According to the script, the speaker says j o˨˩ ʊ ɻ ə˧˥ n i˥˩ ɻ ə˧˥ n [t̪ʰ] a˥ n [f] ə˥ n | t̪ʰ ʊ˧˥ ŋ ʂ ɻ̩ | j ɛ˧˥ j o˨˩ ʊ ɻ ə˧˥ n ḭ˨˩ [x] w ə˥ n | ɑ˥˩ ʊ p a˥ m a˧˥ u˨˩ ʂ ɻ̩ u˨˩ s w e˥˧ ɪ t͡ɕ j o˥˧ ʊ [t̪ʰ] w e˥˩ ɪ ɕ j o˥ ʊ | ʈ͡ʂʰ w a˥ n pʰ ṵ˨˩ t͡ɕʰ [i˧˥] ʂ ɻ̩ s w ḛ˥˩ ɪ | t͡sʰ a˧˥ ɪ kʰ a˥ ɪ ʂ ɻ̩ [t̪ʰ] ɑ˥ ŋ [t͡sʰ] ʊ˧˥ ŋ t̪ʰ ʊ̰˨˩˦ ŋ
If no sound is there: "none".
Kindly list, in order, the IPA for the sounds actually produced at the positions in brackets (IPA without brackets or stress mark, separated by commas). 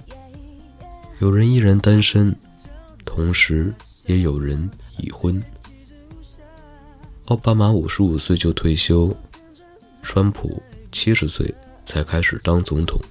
t̪, ʂ, x, t̪ʰ, i˥, t̪, t͡s